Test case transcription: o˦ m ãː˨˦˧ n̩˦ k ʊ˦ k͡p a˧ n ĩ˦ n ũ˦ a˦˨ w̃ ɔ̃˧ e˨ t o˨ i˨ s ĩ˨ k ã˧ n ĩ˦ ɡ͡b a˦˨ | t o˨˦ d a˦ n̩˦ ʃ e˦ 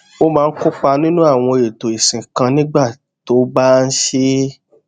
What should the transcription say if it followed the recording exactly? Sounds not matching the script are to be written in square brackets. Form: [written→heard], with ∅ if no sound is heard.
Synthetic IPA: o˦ m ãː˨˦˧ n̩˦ k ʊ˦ k͡p a˧ n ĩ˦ n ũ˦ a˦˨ w̃ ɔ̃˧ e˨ t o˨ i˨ s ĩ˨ k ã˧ n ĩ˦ ɡ͡b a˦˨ | t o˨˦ [d→b] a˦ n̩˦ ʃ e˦